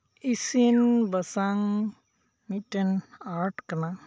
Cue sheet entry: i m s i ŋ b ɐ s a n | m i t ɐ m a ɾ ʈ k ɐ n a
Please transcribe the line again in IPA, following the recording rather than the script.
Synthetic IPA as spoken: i s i n b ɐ s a ŋ | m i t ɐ n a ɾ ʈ k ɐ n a